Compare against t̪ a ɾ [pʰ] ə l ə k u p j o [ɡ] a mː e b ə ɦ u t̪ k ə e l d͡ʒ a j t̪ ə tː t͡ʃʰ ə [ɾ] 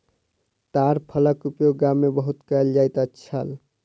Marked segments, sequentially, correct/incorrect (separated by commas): correct, correct, incorrect